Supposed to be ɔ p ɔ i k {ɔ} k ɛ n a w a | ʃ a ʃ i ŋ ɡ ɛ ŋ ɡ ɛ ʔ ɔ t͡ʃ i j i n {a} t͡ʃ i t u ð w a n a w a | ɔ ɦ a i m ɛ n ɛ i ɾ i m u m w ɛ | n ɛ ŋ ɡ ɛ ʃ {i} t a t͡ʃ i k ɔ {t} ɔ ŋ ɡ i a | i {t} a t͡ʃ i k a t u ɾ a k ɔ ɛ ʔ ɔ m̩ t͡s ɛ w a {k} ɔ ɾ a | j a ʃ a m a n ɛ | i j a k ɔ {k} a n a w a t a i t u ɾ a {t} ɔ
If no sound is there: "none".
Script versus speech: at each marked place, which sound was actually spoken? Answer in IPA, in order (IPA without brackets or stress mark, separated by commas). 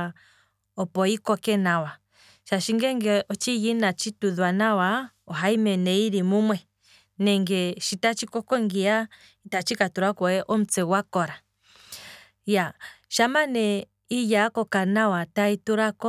ɔ, a, i, k, t, k, k, k